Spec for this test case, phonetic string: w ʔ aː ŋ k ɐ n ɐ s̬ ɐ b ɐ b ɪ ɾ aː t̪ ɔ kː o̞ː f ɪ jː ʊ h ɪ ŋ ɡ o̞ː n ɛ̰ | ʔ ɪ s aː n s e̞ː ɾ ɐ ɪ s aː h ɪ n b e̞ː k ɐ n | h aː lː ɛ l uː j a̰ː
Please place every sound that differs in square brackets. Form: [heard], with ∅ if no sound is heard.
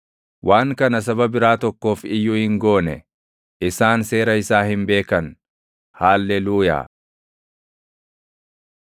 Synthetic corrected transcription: w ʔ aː ŋ k ɐ n ɐ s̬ ɐ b ɐ b ɪ ɾ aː t̪ ɔ kː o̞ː f ɪ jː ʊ h ɪ ŋ ɡ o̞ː n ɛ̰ | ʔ ɪ s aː n s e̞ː ɾ ɐ ɪ s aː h ɪ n b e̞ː k ɐ n | h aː lː ɛ l uː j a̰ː